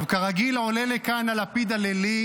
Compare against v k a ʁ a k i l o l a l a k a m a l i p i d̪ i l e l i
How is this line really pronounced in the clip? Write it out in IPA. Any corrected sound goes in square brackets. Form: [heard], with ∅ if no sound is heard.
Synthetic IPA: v k a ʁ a [ɡ] i l o l [e] l [e] k a [n] a l [a] p i d̪ [a] l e l i